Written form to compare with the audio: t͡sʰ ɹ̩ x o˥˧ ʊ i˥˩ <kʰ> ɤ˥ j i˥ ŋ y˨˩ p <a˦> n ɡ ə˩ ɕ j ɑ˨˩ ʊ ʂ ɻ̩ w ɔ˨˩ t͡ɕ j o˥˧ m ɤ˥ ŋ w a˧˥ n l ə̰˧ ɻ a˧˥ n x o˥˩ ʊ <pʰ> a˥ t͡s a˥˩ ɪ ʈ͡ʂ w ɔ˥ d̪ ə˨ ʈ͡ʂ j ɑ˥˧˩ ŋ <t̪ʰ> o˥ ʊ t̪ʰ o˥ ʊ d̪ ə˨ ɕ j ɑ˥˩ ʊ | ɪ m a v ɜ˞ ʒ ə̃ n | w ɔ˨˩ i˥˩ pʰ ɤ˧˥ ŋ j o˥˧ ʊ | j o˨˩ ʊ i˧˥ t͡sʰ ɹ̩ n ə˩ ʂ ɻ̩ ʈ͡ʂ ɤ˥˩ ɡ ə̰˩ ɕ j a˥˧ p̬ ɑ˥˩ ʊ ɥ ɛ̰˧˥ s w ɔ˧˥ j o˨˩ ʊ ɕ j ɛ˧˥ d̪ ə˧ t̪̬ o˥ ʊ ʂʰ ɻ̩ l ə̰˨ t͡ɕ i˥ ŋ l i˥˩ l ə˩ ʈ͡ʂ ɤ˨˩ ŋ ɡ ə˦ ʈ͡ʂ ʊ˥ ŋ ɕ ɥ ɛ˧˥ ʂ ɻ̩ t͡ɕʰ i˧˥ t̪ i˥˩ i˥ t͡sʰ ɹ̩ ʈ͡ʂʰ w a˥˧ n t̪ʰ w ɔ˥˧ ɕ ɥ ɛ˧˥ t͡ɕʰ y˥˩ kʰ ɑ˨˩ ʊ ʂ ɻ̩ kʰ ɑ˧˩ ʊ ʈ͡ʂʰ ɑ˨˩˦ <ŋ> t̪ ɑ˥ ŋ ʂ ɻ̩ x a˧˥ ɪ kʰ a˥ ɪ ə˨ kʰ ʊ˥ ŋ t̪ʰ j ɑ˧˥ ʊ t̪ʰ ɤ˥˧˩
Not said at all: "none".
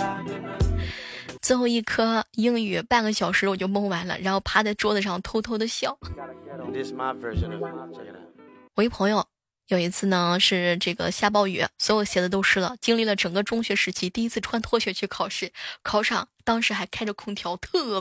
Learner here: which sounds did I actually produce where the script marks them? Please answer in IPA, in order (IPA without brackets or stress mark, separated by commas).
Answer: kʰ, a˥˩, pʰ, t̪ʰ, ŋ